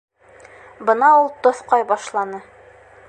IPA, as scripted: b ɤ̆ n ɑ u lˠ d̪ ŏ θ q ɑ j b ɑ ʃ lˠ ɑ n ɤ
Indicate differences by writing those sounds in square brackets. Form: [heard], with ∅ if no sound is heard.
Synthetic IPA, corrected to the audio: b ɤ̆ n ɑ u lˠ [t̪] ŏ θ q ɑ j b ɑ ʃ lˠ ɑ n ɤ